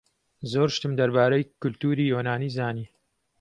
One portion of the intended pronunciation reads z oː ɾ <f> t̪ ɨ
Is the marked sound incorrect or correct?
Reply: incorrect